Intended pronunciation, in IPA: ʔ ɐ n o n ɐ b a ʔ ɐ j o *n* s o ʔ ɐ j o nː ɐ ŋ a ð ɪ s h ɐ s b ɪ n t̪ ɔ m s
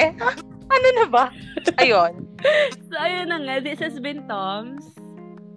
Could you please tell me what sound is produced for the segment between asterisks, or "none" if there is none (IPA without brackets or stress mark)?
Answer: n